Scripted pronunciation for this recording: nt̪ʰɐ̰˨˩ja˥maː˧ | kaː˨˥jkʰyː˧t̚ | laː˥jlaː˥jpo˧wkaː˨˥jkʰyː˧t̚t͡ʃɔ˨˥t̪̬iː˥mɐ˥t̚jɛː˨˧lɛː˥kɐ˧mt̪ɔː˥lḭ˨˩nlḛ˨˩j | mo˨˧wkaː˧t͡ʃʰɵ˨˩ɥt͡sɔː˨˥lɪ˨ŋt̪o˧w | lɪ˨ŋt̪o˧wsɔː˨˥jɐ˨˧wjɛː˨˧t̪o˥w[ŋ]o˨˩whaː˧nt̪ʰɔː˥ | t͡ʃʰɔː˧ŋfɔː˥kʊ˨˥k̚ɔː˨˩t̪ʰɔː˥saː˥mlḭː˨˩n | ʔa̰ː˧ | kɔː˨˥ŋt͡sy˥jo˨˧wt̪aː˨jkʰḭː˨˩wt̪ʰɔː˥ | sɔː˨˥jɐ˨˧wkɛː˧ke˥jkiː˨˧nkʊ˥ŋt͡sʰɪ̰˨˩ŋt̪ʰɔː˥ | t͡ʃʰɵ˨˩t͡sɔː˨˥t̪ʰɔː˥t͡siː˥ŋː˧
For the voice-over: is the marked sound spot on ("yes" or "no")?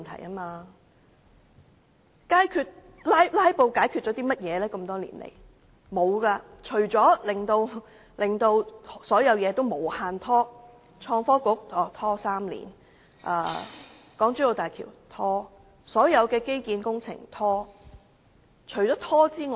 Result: no